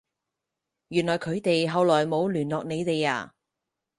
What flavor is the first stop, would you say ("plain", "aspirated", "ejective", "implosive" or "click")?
aspirated